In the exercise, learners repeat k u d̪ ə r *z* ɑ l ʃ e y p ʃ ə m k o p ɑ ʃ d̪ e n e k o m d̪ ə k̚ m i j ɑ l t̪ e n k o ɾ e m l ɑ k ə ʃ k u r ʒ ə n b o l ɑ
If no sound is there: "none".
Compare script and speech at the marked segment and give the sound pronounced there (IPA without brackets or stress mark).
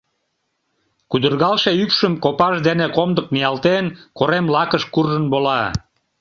ɣ